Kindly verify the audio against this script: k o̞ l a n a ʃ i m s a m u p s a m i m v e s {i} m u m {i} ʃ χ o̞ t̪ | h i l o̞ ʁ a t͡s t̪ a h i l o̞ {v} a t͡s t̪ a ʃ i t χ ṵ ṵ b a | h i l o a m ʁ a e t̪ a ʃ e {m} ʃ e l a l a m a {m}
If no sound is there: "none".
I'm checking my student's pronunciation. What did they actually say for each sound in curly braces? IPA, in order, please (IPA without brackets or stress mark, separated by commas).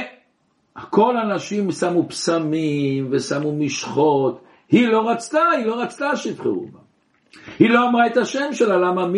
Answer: a, i, ʁ, m, m